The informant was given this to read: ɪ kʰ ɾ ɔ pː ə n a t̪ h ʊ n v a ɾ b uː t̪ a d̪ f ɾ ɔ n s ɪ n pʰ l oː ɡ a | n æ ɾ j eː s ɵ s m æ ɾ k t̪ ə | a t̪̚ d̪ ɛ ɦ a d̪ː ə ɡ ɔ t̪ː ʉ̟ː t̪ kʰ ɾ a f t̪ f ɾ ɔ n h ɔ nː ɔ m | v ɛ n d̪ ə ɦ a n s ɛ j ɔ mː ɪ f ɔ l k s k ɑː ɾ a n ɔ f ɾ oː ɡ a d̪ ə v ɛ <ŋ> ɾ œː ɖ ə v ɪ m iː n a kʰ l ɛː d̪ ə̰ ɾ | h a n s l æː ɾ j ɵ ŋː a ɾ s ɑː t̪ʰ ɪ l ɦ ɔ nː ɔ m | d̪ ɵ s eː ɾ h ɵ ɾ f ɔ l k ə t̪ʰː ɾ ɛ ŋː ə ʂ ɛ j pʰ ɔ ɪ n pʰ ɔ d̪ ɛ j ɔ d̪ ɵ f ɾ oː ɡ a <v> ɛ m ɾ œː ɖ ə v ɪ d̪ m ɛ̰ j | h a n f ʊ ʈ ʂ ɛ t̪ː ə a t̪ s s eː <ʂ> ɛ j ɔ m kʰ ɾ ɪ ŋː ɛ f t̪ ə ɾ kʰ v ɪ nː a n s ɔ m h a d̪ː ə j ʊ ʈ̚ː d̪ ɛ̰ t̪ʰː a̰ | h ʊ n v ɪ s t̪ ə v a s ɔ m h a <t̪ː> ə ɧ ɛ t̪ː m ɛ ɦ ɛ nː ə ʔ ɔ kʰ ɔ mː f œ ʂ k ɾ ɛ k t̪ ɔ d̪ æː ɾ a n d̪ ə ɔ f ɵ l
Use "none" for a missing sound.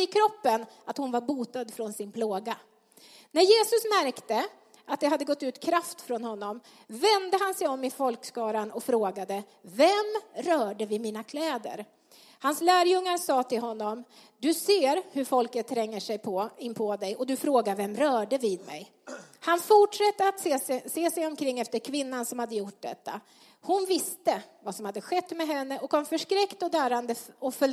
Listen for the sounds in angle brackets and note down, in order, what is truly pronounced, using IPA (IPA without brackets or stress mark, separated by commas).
m, v, s, d̪ː